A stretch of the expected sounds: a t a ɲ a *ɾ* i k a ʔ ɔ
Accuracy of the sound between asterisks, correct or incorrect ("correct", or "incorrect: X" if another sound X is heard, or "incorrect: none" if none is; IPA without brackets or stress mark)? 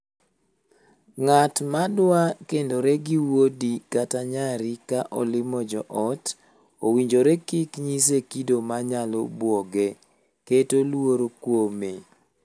correct